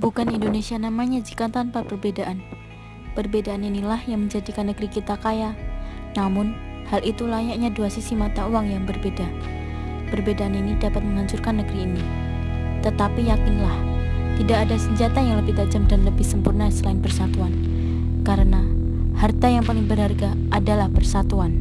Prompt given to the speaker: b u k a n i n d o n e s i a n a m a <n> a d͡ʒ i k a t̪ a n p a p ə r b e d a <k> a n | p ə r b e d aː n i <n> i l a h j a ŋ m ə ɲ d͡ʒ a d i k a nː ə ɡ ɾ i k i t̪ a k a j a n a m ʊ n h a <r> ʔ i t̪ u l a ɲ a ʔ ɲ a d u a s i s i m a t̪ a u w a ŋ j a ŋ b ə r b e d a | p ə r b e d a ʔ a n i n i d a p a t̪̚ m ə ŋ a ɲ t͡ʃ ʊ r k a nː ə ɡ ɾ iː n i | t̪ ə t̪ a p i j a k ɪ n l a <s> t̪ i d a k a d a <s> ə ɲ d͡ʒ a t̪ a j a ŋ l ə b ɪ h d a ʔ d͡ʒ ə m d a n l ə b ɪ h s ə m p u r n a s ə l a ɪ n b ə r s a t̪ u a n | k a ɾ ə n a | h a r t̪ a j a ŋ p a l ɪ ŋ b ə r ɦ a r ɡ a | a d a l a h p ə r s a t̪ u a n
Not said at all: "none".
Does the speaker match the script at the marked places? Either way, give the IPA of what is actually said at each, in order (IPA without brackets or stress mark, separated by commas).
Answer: ɲ, ʔ, n, l, h, s